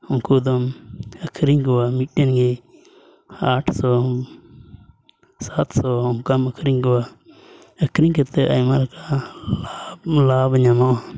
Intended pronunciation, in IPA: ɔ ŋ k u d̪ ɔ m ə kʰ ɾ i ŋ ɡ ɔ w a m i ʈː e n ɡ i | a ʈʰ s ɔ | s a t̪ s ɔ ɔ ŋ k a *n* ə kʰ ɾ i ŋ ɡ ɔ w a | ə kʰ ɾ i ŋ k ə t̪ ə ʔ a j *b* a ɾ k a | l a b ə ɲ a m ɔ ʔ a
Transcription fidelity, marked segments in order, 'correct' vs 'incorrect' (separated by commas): incorrect, incorrect